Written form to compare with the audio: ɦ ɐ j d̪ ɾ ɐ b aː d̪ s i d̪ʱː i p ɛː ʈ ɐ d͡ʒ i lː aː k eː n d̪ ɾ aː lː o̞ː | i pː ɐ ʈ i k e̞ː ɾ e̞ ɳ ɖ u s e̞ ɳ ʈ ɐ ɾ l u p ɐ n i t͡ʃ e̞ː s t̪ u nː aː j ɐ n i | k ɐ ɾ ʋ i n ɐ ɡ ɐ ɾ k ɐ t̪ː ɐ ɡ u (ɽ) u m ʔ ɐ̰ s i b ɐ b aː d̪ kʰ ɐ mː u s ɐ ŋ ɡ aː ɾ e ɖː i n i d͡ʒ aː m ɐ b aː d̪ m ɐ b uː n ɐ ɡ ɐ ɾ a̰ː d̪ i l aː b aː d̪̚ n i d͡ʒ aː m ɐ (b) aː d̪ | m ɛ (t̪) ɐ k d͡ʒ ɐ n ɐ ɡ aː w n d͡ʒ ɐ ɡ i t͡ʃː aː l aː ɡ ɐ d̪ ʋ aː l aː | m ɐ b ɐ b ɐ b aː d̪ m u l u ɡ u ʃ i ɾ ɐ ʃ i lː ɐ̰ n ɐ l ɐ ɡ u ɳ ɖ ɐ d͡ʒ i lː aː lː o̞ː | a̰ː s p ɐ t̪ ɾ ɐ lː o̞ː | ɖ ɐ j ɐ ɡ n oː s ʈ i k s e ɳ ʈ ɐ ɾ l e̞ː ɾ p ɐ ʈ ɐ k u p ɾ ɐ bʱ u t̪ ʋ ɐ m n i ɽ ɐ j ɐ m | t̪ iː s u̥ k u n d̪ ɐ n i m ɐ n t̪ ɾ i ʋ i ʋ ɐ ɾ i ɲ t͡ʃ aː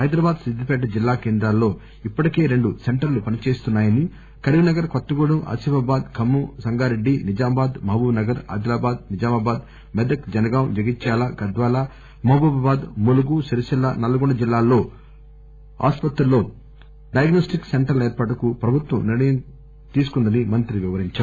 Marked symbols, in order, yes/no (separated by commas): yes, yes, no